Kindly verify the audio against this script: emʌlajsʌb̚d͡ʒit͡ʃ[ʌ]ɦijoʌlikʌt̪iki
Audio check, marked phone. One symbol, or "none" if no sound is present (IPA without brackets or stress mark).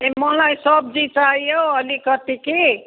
a